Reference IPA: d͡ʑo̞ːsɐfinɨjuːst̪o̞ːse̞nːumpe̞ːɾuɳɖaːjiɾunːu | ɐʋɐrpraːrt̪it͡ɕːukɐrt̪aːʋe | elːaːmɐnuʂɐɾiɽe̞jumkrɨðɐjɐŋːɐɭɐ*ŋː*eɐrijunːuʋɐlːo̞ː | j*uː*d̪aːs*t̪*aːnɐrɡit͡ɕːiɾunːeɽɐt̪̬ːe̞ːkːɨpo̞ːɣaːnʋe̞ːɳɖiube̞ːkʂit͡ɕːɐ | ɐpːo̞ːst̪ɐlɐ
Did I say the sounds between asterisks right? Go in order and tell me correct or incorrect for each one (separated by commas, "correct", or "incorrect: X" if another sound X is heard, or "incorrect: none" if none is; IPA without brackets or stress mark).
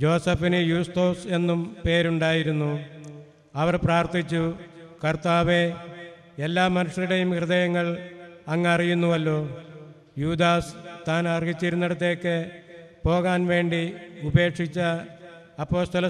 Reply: correct, correct, correct